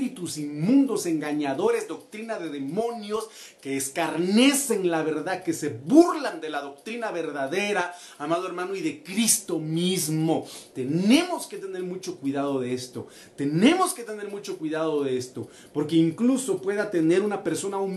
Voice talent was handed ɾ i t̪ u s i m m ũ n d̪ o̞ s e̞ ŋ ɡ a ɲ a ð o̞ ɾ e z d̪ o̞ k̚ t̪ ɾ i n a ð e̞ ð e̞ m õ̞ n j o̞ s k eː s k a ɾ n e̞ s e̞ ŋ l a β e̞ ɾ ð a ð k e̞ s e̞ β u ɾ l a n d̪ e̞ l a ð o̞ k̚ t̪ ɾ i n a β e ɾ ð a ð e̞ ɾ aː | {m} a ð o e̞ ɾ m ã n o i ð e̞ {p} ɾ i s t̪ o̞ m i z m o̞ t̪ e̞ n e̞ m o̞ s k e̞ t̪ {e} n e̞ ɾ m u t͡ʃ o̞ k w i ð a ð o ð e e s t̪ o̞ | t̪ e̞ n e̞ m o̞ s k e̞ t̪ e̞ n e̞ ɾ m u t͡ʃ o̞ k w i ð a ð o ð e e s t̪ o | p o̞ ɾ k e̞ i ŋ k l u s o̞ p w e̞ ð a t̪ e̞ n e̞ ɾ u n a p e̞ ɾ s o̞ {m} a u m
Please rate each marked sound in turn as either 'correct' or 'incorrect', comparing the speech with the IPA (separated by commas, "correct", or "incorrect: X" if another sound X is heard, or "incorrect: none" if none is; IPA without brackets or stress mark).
correct, incorrect: k, correct, incorrect: n